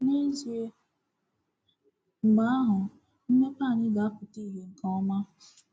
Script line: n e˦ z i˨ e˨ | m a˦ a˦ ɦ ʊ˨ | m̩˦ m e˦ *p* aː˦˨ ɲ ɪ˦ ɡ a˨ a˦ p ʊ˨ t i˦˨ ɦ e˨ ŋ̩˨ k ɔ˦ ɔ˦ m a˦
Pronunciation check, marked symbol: correct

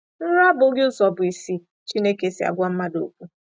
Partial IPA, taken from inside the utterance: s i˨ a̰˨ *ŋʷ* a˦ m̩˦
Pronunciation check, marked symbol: incorrect: ɡʷ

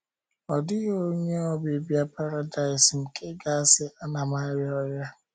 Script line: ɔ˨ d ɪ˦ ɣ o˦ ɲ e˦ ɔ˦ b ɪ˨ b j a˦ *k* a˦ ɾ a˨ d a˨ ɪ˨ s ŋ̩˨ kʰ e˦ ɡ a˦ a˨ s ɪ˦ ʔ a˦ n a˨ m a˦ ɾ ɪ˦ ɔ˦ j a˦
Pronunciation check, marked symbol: incorrect: p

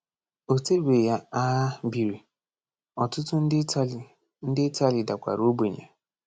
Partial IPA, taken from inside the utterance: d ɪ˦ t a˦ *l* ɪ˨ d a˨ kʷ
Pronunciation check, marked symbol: correct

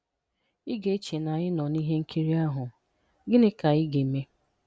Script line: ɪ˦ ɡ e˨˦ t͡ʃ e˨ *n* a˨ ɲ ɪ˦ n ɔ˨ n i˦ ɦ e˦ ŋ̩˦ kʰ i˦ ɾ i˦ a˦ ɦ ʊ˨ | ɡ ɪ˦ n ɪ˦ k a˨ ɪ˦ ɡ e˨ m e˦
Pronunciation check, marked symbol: correct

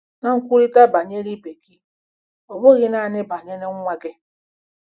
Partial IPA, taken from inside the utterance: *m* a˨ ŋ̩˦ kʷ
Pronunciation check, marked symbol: incorrect: n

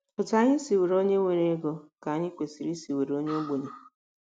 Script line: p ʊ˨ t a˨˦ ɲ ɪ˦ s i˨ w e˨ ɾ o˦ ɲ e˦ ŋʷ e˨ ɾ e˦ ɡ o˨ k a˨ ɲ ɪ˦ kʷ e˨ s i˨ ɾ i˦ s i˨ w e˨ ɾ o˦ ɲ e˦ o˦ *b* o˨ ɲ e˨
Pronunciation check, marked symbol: incorrect: ɡ͡b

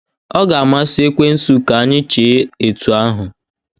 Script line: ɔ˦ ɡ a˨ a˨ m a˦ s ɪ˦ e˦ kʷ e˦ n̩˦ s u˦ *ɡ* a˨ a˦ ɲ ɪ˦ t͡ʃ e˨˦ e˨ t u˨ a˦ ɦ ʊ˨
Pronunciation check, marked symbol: incorrect: k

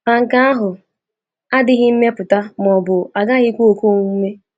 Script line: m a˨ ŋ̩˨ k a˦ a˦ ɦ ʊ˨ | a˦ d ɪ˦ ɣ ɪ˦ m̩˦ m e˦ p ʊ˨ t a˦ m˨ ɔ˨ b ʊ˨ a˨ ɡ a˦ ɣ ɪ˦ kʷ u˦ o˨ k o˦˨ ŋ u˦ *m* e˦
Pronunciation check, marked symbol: correct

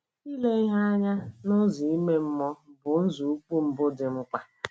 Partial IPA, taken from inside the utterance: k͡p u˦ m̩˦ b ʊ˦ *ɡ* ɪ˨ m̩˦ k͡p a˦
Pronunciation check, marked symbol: incorrect: d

